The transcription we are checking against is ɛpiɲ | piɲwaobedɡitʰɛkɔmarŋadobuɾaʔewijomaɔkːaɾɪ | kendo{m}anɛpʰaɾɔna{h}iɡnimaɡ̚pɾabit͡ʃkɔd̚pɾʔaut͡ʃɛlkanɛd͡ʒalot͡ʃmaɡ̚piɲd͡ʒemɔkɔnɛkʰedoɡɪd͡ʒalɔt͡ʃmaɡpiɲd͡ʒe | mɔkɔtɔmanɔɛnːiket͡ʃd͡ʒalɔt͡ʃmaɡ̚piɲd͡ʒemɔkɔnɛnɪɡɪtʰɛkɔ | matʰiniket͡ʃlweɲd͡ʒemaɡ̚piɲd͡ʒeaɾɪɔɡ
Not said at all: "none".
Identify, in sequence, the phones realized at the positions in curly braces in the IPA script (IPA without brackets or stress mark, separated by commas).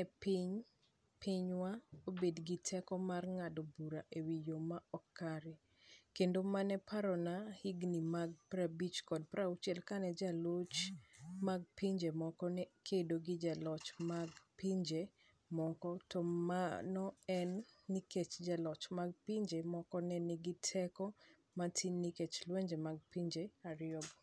m, h